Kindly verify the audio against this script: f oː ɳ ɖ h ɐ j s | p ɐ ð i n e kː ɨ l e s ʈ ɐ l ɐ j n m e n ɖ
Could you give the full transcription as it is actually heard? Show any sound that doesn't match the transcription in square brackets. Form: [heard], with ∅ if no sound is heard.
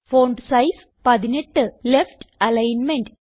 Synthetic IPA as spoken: f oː ɳ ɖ [s] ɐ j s | p ɐ ð i n e [ʈː] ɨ l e [f] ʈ ɐ l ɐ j n m e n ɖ

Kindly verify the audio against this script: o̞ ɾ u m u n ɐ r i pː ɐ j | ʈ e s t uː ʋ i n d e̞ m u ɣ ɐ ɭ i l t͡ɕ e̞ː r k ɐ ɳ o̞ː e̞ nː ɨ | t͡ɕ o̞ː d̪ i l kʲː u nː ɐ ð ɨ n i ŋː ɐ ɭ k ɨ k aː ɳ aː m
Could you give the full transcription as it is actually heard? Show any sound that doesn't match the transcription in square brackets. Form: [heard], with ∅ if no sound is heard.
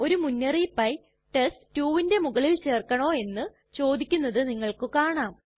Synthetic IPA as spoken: o̞ ɾ u m u [nː] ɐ r i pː ɐ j | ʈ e s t uː ʋ i n d e̞ m u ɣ ɐ ɭ i l t͡ɕ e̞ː r k ɐ ɳ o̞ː e̞ nː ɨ | t͡ɕ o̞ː d̪ i [∅] kʲː u nː ɐ ð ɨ n i ŋː ɐ ɭ k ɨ k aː ɳ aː m

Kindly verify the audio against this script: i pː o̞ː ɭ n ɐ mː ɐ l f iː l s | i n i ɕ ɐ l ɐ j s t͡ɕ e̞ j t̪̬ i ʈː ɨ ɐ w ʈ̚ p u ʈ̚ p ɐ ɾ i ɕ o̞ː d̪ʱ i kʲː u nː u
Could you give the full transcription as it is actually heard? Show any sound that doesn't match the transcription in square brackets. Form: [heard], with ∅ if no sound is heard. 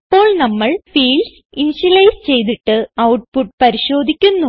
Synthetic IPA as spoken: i pː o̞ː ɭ n ɐ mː ɐ [ɭ] f iː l s | i n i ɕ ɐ l ɐ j s t͡ɕ e̞ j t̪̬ i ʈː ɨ ɐ w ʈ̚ p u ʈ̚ p ɐ ɾ i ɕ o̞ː d̪ʱ i kʲː u nː u

